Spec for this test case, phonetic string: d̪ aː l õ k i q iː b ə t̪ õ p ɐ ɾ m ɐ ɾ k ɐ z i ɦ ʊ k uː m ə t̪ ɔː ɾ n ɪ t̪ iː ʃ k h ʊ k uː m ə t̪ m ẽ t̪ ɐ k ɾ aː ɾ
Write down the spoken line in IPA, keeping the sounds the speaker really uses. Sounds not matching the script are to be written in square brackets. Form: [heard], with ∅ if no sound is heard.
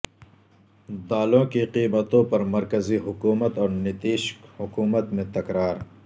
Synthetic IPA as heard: d̪ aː l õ k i q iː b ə t̪ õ p ɐ ɾ m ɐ ɾ k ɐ z i ɦ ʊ k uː m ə t̪ ɔː ɾ n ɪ t̪ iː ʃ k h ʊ k uː m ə t̪ m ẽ t̪ ɐ k ɾ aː ɾ